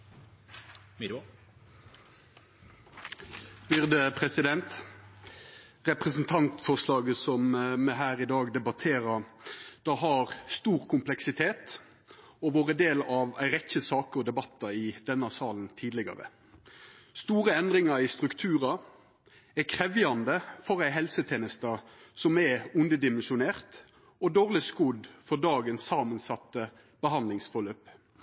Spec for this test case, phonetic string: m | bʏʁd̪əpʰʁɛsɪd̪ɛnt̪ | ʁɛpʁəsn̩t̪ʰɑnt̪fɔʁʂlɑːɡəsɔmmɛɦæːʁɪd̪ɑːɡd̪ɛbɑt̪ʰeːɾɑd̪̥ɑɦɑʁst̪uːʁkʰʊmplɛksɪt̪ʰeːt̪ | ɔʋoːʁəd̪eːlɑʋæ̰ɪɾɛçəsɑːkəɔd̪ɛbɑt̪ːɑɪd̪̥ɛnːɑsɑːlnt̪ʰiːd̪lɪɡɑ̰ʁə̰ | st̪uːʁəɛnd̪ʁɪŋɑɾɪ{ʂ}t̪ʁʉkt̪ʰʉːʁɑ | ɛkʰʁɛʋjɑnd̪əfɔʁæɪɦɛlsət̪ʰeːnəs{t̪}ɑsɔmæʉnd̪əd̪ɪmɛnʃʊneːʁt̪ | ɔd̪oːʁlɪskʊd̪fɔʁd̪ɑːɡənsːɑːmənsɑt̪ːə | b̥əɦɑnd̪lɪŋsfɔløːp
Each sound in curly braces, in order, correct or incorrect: incorrect, correct

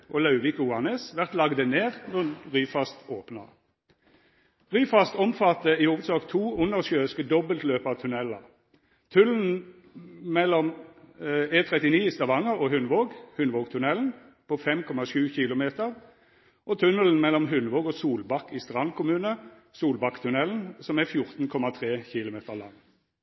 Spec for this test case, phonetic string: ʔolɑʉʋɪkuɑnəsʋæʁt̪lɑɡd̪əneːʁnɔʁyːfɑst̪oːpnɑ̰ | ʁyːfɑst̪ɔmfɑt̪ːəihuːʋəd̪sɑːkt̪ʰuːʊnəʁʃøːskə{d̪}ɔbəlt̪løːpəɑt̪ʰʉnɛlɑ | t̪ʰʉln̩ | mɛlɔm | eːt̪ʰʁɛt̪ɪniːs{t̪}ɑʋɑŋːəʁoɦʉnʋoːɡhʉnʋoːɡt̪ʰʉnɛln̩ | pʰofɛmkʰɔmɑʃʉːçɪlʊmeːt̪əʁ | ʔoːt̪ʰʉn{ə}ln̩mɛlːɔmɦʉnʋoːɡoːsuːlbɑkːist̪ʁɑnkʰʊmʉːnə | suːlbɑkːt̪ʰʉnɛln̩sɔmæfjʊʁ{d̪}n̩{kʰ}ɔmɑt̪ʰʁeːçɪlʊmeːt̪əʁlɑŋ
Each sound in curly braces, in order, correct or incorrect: correct, correct, correct, incorrect, correct

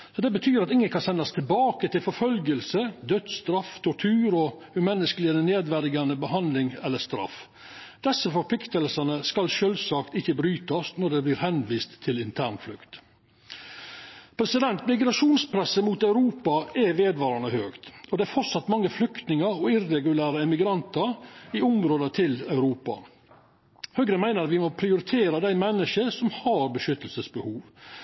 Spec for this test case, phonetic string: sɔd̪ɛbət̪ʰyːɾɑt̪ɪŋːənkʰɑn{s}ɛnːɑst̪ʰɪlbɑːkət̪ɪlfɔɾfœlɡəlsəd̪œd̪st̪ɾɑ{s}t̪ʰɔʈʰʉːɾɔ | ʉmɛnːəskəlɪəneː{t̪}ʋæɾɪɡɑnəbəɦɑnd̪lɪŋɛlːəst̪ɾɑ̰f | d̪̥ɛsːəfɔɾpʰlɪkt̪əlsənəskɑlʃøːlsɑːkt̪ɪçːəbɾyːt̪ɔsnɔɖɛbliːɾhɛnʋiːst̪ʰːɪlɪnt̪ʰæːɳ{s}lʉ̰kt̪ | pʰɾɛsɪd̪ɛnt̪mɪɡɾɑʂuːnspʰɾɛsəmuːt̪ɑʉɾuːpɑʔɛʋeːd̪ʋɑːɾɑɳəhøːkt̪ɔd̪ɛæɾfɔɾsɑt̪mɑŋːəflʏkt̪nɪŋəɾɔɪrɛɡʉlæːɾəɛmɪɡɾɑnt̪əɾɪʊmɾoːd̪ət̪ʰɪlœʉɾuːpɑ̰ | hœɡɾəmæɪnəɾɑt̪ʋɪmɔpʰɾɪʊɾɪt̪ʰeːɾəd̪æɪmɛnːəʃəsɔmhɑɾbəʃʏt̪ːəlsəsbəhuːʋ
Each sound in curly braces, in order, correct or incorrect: correct, incorrect, incorrect, incorrect

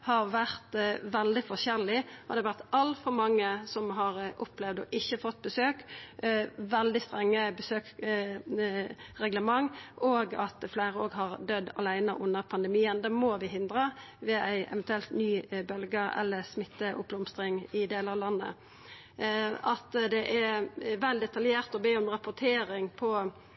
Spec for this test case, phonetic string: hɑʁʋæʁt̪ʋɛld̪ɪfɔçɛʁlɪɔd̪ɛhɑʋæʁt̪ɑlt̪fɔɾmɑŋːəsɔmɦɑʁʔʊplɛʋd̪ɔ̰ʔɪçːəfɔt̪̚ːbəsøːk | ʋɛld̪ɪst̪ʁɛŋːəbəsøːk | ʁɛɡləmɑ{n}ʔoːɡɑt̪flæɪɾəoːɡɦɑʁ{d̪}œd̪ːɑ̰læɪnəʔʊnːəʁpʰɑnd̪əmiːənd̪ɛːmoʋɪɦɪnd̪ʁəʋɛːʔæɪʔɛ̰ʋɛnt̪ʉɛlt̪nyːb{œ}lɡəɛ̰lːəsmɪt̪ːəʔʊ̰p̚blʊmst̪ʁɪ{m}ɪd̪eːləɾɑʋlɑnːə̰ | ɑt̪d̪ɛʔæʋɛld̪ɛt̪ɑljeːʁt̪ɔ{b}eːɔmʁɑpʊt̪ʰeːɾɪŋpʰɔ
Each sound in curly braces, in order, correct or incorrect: incorrect, correct, correct, incorrect, correct

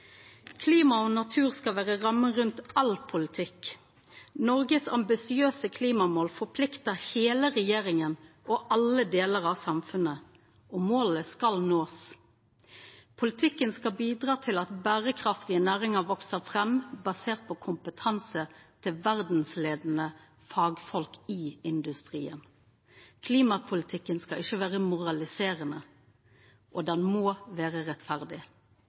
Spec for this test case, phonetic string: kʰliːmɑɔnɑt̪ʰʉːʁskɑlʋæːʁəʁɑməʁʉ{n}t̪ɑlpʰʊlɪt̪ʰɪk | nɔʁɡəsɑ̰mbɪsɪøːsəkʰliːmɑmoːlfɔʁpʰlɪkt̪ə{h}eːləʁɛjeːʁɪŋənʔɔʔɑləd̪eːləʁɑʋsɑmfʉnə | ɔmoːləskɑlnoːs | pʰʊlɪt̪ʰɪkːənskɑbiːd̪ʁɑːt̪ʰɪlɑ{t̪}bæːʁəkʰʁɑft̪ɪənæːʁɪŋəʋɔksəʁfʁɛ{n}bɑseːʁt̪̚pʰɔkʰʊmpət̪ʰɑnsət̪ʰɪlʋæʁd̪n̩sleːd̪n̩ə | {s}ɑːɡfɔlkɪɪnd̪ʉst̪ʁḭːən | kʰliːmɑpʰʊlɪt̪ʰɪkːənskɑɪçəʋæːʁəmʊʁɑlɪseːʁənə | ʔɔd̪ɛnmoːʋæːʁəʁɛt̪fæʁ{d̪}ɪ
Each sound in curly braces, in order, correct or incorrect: correct, correct, correct, incorrect, incorrect, correct

